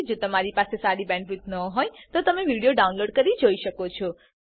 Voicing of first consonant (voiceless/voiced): voiced